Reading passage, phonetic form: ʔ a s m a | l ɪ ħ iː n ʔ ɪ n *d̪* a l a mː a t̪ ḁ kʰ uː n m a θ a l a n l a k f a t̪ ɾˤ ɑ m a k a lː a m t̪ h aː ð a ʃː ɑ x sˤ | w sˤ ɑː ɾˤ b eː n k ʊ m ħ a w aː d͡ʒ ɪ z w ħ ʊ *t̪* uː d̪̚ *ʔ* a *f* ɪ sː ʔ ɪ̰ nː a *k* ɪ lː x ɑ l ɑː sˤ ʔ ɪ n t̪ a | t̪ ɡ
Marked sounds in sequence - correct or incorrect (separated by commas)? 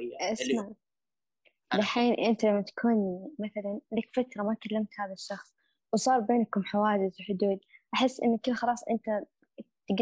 incorrect, incorrect, correct, incorrect, correct